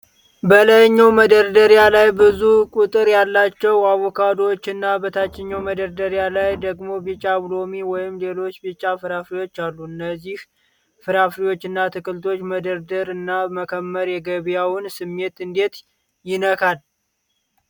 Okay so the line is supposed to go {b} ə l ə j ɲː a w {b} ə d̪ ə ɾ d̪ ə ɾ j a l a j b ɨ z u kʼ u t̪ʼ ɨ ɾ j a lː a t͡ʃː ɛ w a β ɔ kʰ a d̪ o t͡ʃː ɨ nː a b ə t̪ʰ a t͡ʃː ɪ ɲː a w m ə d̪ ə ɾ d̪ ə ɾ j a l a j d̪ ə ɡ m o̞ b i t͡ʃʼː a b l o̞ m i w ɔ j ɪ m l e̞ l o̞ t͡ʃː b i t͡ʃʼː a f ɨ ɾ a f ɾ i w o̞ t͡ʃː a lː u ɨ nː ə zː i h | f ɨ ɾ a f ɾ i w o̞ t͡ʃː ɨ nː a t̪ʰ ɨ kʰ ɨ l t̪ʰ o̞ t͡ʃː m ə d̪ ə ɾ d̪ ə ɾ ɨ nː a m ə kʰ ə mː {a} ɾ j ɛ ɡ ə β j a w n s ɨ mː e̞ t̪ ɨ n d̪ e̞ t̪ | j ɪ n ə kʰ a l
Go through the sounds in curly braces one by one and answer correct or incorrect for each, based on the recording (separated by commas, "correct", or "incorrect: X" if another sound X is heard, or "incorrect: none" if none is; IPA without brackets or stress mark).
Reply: correct, incorrect: m, incorrect: ə